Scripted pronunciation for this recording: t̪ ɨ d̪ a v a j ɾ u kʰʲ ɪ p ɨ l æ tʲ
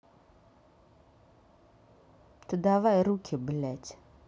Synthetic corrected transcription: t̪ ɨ d̪ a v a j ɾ u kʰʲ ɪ b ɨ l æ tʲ